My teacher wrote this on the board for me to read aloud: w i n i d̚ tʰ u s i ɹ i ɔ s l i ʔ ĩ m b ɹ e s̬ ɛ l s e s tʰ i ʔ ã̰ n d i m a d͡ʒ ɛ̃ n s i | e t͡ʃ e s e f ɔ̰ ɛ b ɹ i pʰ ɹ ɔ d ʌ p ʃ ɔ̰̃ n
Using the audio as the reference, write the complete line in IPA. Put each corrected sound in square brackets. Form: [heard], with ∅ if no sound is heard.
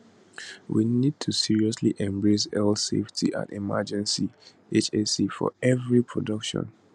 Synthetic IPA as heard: w i n i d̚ tʰ u s i ɹ i ɔ s l i ʔ [ɛ̃] m b ɹ e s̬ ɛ l s e [f] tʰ i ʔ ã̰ n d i m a d͡ʒ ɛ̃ n s i | e t͡ʃ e s [i] f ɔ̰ ɛ [v] ɹ i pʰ ɹ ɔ d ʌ [k] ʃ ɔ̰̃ n